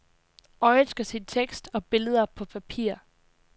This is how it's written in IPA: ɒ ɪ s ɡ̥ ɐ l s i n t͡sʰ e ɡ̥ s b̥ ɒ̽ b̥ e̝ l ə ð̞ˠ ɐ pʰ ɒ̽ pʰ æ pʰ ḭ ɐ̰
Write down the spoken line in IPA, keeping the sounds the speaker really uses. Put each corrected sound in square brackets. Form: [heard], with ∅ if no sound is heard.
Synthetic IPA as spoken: ɒ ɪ s ɡ̥ ɐ [∅] s i n t͡sʰ e ɡ̥ s [d̥] ɒ̽ b̥ e̝ l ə ð̞ˠ ɐ pʰ ɒ̽ pʰ æ pʰ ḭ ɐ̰